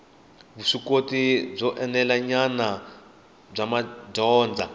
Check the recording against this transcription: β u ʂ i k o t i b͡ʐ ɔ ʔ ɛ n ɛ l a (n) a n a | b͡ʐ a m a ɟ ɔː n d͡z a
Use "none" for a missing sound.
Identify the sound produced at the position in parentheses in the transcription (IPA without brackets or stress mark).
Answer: ɲ